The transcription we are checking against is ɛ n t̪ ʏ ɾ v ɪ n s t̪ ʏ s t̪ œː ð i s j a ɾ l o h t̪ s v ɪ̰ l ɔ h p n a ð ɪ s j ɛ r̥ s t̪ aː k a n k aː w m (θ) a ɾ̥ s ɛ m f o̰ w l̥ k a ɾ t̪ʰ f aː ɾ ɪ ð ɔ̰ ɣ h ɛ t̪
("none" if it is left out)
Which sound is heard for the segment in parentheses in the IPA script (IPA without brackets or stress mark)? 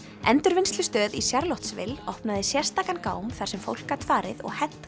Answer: θ